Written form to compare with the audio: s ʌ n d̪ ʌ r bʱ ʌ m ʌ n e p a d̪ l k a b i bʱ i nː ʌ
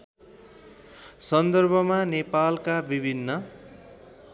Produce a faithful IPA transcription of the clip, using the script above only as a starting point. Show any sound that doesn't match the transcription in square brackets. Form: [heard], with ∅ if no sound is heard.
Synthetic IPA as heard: s ʌ n d̪ ʌ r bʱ ʌ m [a] n e p a [∅] l k a b i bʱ i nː ʌ